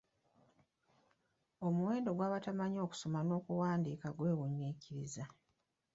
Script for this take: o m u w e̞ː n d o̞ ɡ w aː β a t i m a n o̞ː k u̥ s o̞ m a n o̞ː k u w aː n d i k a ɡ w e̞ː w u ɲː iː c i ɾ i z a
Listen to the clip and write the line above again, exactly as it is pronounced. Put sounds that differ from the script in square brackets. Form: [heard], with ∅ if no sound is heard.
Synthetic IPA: o m u w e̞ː n d o̞ ɡ w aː β a t [a] m a [ɲ] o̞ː k u̥ s o̞ m a n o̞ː k u w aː n d i k a ɡ w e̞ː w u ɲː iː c i ɾ i z a